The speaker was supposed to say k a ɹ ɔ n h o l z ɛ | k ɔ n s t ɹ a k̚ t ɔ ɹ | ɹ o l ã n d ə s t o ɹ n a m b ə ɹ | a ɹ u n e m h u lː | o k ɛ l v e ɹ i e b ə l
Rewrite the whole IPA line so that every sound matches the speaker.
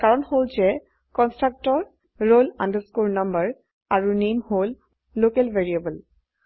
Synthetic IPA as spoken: k a ɹ ɔ n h o l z ɛ | k ɔ n s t ɹ a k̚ t ɔ ɹ | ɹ o l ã n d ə s k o ɹ n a m b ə ɹ | a ɹ u n e m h o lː | o k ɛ l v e ɹ i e b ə l